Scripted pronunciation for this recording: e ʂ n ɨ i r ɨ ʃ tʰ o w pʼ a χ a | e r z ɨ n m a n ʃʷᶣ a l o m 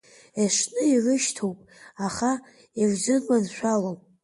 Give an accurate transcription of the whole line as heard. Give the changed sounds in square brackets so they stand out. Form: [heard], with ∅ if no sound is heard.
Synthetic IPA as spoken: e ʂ n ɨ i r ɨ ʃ tʰ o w pʼ a χ a | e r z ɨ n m a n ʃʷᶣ a l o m